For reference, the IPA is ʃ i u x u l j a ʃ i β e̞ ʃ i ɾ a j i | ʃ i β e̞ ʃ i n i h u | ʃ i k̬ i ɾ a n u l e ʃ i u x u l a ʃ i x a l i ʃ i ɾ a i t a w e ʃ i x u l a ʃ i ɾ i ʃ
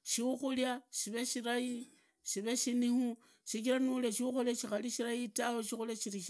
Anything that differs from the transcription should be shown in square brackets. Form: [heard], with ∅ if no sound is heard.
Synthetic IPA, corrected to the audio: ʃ i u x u l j a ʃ i β e̞ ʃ i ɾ a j i | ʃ i β e̞ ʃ i n i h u | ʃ i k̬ i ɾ a n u l e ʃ i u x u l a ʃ i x a l i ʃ i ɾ a i t a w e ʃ i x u l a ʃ i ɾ i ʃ